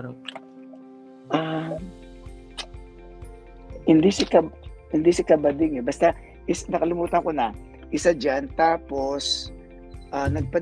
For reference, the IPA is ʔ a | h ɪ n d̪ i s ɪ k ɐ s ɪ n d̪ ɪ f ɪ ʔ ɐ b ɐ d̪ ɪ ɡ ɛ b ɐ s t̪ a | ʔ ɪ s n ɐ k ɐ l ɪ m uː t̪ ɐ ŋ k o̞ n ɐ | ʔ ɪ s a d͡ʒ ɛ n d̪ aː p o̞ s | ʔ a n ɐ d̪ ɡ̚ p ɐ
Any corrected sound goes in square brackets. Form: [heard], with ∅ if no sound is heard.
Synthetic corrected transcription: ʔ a | h ɪ n d̪ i s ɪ k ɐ [h] ɪ n d̪ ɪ [s] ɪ [k] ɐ b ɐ d̪ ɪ [ŋ] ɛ b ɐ s t̪ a | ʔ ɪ s n ɐ k ɐ l ɪ m uː t̪ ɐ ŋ k o̞ n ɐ | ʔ ɪ s a d͡ʒ [a] n [t̪] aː p o̞ s | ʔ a n ɐ [∅] ɡ̚ p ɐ